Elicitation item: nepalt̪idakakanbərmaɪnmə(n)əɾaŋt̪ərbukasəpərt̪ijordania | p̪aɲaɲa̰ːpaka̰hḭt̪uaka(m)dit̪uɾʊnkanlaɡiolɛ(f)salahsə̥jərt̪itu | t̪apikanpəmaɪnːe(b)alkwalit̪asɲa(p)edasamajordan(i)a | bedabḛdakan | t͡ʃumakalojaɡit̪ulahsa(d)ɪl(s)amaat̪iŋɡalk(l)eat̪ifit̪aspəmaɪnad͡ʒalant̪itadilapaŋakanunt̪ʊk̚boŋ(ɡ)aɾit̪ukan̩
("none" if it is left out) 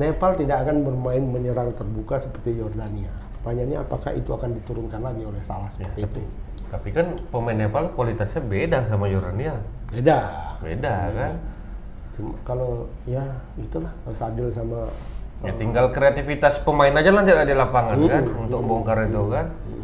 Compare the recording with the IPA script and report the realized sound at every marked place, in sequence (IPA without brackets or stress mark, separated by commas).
ɲ, n, h, p, b, i, ɡ, s, ɾ, k